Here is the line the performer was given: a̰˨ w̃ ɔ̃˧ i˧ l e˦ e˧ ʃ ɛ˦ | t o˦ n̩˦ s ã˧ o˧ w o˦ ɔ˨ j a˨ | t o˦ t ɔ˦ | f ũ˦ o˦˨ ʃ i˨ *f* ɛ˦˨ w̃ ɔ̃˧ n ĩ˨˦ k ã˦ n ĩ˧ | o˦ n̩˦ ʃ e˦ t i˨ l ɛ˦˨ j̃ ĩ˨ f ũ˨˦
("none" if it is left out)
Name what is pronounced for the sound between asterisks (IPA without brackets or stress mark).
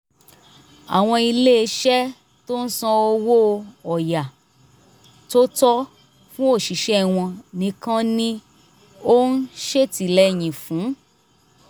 ʃ